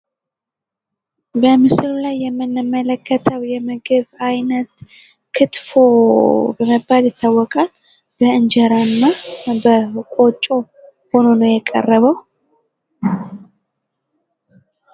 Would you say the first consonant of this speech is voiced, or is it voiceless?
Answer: voiced